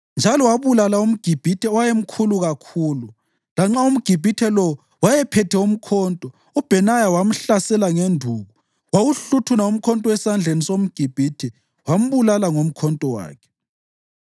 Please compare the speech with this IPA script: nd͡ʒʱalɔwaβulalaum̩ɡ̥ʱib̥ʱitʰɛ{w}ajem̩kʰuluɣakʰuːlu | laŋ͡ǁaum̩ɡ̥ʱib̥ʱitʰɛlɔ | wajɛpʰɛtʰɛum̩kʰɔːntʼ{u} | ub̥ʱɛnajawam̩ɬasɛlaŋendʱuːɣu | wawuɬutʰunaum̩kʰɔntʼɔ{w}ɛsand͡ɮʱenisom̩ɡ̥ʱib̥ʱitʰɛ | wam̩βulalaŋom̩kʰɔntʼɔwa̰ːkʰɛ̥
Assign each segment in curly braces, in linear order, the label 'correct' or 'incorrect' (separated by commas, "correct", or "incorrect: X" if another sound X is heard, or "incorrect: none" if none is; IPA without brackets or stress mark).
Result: correct, incorrect: ɔ, correct